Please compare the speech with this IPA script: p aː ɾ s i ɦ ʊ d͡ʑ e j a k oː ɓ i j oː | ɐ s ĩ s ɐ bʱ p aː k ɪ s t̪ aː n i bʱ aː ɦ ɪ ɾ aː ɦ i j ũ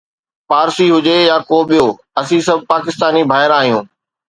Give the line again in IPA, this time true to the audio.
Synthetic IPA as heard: p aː ɾ s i ɦ ʊ d͡ʑ e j a k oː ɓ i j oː | ɐ s ĩ s ɐ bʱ p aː k ɪ s t̪ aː n i bʱ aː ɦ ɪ ɾ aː ɦ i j ũː